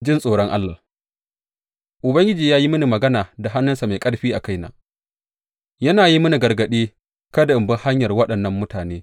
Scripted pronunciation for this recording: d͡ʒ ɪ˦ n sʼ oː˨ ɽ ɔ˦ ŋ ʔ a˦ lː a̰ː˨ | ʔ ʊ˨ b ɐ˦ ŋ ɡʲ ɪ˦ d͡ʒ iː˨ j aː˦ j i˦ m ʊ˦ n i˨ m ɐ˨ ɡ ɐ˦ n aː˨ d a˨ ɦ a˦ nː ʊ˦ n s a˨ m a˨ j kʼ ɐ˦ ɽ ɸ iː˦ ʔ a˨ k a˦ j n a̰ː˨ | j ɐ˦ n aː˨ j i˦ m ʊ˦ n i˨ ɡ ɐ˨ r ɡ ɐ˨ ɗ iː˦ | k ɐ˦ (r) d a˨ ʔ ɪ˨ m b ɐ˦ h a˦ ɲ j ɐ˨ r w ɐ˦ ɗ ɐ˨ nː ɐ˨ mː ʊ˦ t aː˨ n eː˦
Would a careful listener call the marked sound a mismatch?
yes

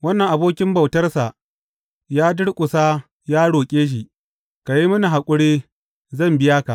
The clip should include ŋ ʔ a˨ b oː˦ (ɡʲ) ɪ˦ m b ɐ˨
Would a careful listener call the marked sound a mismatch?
yes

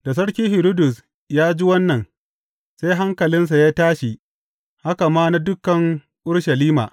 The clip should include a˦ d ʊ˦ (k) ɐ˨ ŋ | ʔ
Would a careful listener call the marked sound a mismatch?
no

